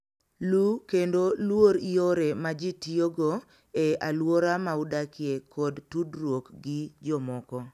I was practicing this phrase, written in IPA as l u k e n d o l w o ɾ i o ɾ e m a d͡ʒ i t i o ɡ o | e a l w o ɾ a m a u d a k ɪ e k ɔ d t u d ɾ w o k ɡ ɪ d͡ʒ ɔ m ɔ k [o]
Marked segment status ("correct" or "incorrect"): incorrect